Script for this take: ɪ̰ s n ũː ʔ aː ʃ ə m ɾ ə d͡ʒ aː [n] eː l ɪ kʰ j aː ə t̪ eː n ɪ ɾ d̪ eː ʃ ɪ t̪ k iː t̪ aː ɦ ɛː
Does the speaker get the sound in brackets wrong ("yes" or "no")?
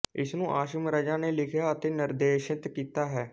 no